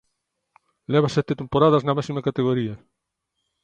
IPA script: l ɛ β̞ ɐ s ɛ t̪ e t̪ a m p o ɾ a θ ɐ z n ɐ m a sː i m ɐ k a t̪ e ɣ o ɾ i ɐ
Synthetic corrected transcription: l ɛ β̞ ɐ s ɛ t̪ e t̪ e m p o ɾ a ð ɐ z n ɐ m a s i m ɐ k a t̪ e ɣ o ɾ i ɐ